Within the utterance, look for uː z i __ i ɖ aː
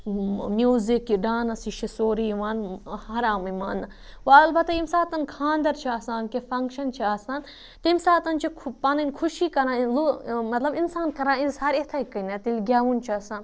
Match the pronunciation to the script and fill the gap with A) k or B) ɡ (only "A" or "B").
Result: A